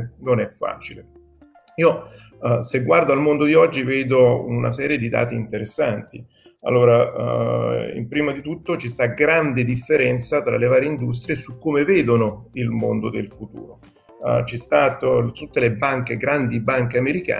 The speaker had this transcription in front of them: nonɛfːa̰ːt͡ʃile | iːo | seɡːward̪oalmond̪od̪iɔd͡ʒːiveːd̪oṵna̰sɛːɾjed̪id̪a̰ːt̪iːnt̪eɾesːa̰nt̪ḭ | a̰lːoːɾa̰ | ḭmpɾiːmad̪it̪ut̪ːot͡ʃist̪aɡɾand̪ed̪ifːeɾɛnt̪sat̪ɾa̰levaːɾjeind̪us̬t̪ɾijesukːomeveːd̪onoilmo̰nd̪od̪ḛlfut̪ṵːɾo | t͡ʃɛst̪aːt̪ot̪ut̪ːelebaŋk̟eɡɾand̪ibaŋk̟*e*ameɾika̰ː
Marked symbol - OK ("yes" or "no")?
yes